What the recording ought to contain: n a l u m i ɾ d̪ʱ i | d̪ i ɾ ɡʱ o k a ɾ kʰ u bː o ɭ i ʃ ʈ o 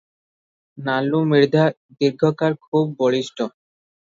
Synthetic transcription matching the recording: n a l u m i ɾ d̪ʱ a | d̪ i ɾ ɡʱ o k a ɾ kʰ u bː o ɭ i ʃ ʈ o